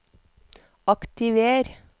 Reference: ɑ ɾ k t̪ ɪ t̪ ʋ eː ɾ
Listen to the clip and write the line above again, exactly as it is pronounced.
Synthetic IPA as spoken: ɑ k t̪ ɪ ʋ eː ɾ